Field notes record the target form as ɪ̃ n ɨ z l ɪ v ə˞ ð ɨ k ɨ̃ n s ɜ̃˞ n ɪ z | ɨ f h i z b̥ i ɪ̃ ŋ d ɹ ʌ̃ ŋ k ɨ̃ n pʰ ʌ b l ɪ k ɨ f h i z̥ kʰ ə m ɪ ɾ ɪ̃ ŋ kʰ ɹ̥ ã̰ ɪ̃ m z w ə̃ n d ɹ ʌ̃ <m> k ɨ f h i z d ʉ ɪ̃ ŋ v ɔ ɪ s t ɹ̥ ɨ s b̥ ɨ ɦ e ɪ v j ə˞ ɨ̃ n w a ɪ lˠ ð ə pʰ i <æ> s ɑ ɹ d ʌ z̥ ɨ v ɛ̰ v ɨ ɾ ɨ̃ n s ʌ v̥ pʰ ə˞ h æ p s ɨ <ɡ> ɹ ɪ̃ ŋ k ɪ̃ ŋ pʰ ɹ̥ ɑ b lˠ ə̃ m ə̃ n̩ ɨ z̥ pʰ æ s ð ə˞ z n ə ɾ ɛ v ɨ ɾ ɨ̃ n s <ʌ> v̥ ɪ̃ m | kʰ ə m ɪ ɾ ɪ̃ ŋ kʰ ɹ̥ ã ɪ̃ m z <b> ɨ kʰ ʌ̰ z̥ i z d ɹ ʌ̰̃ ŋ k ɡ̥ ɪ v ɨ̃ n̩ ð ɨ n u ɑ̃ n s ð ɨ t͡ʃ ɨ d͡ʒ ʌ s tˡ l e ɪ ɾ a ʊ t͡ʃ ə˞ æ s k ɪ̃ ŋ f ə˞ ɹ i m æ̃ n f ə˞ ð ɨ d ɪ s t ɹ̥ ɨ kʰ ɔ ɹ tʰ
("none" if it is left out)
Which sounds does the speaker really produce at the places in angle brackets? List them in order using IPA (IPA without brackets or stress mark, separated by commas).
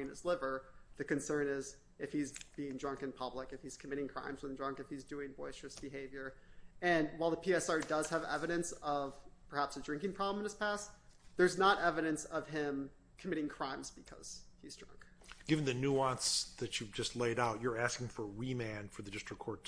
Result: ŋ, ɛ, d, ʌ, b